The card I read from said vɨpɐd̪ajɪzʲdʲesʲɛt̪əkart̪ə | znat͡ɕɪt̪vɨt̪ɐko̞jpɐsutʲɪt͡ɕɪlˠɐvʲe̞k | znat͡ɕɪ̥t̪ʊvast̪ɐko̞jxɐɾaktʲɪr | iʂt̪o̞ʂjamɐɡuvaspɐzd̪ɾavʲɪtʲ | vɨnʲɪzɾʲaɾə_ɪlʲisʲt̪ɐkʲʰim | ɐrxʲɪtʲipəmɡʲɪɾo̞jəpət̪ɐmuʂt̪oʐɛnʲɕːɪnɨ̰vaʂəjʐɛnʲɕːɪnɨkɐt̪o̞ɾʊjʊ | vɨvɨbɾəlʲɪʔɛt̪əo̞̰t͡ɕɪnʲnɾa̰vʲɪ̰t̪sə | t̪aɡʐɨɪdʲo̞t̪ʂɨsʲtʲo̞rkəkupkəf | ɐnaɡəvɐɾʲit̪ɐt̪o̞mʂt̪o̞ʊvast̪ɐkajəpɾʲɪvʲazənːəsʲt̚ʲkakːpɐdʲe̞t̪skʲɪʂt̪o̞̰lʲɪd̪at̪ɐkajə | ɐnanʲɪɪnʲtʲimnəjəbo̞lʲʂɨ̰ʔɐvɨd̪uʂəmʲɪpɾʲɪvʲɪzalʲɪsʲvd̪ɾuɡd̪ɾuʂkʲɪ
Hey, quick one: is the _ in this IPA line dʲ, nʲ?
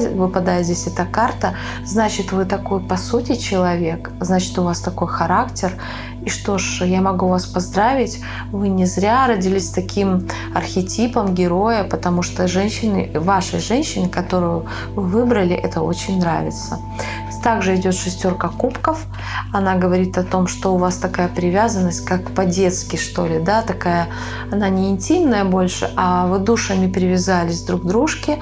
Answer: dʲ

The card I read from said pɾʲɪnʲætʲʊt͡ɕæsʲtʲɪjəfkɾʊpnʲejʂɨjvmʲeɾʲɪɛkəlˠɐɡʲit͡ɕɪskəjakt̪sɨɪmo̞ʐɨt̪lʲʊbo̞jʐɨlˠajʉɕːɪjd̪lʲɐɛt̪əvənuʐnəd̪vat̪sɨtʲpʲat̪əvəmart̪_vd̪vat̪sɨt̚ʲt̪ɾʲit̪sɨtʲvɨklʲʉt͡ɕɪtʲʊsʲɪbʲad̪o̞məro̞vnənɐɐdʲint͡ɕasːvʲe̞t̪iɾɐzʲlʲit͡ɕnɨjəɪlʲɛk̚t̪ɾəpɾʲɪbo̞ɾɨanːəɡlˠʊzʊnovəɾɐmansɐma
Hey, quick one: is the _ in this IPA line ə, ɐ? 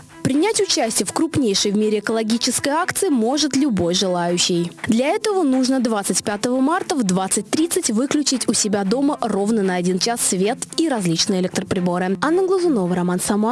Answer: ə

